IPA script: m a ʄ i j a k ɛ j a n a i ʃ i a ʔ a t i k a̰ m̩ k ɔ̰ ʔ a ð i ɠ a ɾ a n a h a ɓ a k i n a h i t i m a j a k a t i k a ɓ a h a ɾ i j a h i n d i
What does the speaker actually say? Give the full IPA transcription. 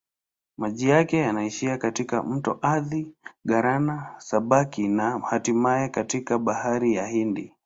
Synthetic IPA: m a ʄ i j a k ɛ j a n a i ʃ i a k a t i k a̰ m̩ t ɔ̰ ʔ a ð i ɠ a ɾ a n a s a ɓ a k i n a h a t i m a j ɛ k a t i k a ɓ a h a ɾ i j a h i n d i